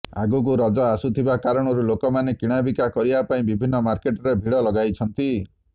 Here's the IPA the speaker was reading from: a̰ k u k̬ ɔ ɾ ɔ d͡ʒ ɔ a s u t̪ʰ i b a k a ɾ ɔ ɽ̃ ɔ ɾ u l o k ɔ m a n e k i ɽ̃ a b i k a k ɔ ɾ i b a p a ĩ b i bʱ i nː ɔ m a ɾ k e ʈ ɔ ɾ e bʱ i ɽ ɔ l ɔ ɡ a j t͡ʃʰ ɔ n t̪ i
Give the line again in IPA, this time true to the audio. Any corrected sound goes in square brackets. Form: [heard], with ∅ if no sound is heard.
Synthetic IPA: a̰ [ɡ] u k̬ [u] ɾ ɔ d͡ʒ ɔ a s u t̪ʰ i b a k a ɾ ɔ ɽ̃ ɔ ɾ u l o k ɔ m a n e k i ɽ̃ a b i k a k ɔ ɾ i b a p a ĩ b i bʱ i nː ɔ m a ɾ k e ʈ ɔ ɾ e bʱ i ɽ ɔ l ɔ ɡ a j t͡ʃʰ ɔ n t̪ i